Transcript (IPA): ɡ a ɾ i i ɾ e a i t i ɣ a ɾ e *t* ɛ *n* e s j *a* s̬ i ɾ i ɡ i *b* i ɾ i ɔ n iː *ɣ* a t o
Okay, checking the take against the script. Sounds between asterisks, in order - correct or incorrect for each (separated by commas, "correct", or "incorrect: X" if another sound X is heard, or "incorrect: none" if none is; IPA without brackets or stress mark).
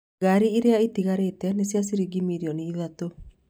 correct, correct, correct, incorrect: m, incorrect: ð